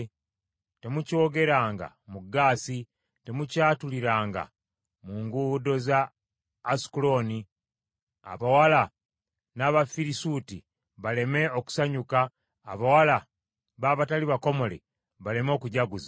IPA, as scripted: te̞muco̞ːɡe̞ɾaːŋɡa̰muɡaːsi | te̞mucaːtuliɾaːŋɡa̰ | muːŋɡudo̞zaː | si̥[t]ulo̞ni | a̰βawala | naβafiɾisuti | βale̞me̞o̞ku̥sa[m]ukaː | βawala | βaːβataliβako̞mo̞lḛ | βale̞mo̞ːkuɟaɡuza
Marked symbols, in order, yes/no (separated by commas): no, no